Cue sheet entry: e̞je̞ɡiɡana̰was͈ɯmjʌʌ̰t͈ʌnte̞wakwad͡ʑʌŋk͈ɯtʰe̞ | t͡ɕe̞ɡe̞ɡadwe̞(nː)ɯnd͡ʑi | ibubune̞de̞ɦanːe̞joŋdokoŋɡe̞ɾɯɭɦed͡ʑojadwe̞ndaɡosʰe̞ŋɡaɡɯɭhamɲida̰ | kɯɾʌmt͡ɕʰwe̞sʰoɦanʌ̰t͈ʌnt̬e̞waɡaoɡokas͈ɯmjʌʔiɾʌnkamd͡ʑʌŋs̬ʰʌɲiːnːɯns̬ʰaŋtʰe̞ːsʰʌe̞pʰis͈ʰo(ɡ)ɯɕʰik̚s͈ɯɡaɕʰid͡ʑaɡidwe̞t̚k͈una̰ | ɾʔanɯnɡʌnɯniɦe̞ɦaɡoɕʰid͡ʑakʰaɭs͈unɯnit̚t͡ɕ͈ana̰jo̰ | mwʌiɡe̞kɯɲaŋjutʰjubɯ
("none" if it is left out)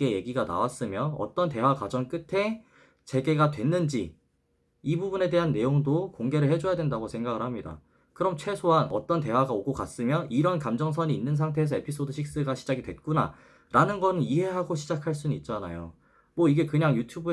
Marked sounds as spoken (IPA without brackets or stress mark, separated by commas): nː, d